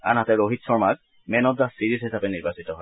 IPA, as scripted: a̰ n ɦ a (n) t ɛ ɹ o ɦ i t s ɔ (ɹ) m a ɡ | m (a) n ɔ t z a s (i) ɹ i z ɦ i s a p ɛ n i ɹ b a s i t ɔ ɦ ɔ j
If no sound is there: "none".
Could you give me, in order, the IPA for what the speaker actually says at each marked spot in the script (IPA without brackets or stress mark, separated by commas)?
none, ɹ, ɛ, i